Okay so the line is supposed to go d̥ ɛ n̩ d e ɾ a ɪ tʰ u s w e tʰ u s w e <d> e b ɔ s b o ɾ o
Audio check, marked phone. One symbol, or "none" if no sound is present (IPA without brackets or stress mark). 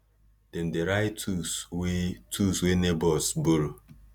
n